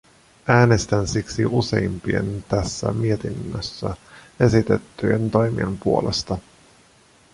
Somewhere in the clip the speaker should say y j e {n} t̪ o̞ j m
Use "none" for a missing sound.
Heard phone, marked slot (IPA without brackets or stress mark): n